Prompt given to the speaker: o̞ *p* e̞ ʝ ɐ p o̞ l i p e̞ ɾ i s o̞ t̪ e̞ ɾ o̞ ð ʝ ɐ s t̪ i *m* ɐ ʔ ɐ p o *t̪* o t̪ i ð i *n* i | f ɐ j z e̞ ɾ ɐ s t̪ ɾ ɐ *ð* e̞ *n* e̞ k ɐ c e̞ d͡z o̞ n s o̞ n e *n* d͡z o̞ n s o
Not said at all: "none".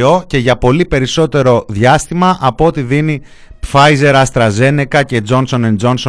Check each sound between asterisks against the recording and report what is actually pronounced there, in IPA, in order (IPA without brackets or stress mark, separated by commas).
c, m, none, n, z, n, n